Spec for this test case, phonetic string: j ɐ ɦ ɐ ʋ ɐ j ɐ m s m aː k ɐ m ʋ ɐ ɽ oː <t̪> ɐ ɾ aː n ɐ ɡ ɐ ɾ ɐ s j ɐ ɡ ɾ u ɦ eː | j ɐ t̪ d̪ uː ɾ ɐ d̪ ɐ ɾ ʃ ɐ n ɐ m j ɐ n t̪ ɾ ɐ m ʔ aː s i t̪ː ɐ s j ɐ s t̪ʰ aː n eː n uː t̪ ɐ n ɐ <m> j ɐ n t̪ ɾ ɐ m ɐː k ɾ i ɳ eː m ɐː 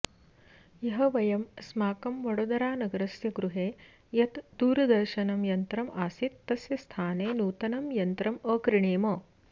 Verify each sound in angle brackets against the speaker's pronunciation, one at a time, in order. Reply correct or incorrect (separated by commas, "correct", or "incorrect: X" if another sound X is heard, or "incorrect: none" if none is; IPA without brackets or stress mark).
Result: incorrect: d̪, correct